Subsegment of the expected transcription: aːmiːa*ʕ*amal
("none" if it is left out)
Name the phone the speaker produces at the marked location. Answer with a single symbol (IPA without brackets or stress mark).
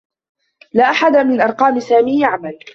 ʕ